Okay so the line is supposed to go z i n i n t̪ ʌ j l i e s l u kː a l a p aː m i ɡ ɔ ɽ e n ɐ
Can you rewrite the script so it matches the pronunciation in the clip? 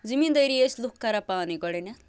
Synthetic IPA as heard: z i m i n d̪ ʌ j ɾ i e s l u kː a ɾ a p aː n i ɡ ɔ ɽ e n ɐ